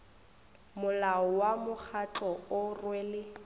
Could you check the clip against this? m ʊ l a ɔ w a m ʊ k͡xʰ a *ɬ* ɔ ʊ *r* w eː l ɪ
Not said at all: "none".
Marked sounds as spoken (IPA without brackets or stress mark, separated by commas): t͡ɬ, r